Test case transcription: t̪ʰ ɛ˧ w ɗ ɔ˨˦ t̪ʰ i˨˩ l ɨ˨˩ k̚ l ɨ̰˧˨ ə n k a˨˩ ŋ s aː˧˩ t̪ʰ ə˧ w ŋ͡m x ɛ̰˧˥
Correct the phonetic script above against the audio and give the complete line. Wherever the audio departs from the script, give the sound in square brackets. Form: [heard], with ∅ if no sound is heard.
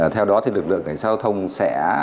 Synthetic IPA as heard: t̪ʰ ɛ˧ w ɗ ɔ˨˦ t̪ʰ i˨˩ l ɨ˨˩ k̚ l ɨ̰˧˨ ə [ŋ] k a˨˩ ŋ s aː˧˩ t̪ʰ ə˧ w ŋ͡m [s] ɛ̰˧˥

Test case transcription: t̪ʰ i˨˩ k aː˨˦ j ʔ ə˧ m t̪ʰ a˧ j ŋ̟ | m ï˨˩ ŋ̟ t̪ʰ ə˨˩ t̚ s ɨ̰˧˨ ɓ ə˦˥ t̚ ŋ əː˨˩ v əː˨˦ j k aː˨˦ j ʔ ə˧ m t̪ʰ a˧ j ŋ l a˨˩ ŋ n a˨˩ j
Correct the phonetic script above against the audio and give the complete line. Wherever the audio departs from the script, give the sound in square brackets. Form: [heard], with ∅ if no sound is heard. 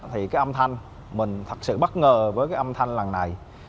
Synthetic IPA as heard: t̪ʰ i˨˩ k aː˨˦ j ʔ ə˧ m t̪ʰ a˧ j ŋ̟ | m ï˨˩ ŋ̟ t̪ʰ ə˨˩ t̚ s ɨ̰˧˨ ɓ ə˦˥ t̚ ŋ əː˨˩ v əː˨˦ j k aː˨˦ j ʔ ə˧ m t̪ʰ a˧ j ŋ l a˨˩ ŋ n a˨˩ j

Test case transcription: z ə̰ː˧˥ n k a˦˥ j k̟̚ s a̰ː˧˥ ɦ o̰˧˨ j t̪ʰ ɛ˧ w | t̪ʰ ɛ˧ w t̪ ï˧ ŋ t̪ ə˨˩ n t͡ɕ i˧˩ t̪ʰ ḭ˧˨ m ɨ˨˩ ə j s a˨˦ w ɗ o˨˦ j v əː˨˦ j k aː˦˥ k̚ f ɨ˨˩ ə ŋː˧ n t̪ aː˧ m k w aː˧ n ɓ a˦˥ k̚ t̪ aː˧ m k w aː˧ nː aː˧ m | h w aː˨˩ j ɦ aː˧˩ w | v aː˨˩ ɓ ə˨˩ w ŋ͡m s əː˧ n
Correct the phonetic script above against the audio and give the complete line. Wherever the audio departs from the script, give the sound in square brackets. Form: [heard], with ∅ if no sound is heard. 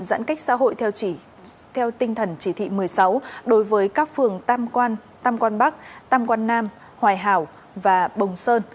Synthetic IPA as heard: z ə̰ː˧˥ n k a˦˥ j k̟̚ s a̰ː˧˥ ɦ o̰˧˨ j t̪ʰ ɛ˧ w | t̪ʰ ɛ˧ w t̪ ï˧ ŋ [t̪ʰ] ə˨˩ n t͡ɕ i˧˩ t̪ʰ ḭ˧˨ m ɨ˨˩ ə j s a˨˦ w ɗ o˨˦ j v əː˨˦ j k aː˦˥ k̚ f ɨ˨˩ ə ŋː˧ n t̪ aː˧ m k w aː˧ n ɓ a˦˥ k̚ t̪ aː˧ m k w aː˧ nː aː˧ m | h w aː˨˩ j ɦ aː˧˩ w | v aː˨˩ ɓ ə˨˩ w ŋ͡m s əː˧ n

